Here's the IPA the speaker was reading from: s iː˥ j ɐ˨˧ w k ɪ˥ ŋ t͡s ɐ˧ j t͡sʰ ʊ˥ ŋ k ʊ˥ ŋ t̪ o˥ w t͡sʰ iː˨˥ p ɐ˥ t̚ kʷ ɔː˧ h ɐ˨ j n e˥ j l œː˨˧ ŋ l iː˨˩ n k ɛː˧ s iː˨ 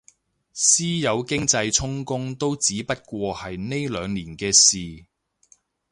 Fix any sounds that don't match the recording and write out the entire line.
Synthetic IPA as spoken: s iː˥ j ɐ˨˧ w k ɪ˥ ŋ t͡s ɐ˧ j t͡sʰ ʊ˥ ŋ k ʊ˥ ŋ t̪ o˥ w t͡s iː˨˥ p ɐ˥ t̚ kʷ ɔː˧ h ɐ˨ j n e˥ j l œː˨˧ ŋ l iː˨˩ n k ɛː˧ s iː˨